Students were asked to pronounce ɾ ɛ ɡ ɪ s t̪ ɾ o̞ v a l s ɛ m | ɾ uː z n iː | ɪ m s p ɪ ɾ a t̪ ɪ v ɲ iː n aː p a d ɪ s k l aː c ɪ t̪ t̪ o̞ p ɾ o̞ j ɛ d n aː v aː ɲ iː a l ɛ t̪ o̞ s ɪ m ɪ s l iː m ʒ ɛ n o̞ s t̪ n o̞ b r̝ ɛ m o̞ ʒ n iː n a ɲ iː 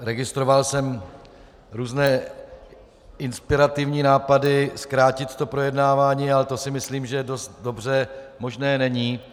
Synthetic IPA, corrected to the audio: ɾ ɛ ɡ ɪ s t̪ ɾ o̞ v a l s ɛ m | ɾ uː z n ɛː | ɪ n s p ɪ ɾ a t̪ ɪ v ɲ iː n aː p a d ɪ s k ɾ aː c ɪ t̪ t̪ o̞ p ɾ o̞ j ɛ d n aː v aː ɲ iː a l ɛ t̪ o̞ s ɪ m ɪ s l iː m ʒ ɛ d o̞ s t̪ d o̞ b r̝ ɛ m o̞ ʒ n ɛː n ɛ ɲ iː